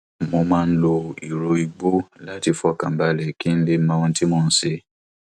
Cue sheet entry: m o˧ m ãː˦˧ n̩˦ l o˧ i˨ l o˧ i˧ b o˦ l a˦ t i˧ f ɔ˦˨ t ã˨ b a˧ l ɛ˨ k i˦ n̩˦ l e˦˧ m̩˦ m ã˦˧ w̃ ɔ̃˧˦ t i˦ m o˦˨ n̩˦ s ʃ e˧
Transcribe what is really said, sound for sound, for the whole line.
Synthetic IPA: m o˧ m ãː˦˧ n̩˦ l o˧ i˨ ɾ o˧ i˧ ɡ͡b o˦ l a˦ t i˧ f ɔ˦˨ k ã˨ b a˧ l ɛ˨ k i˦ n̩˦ l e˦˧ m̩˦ m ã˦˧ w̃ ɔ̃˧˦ t i˦ m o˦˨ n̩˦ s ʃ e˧